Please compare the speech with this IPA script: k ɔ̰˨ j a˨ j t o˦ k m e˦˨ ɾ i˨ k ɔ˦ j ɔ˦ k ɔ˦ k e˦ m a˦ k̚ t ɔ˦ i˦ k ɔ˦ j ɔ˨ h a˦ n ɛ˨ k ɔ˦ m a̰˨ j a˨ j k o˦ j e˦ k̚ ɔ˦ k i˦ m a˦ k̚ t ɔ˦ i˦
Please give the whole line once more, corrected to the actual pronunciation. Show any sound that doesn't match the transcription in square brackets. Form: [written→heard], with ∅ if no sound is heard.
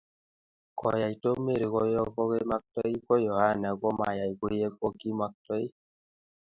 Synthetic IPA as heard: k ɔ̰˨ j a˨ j t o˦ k m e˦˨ ɾ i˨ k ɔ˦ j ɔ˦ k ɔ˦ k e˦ m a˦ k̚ t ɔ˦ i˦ k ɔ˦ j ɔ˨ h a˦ n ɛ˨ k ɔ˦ m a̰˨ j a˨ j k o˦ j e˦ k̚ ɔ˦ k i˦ m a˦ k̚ t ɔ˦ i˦